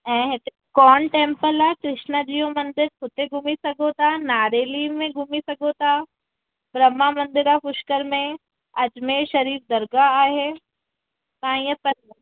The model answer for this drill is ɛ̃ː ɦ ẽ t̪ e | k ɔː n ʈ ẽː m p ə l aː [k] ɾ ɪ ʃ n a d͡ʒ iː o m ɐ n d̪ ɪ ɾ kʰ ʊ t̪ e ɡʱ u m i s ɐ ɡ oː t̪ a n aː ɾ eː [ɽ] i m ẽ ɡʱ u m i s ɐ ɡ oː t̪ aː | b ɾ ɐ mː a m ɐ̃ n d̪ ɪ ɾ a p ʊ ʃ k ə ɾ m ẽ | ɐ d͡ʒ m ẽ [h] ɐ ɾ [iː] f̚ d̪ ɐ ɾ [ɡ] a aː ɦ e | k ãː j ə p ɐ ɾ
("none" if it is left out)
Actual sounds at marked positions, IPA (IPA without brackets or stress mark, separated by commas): k, l, ʃ, iː, ɡ